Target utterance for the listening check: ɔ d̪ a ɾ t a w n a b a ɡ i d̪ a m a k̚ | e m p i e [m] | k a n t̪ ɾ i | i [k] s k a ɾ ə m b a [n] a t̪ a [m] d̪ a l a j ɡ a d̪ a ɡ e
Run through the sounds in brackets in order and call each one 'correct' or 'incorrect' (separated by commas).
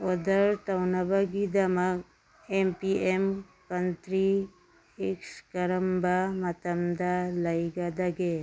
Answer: correct, correct, incorrect, correct